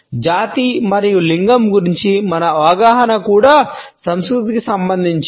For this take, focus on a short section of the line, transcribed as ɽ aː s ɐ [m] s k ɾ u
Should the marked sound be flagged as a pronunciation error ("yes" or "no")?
no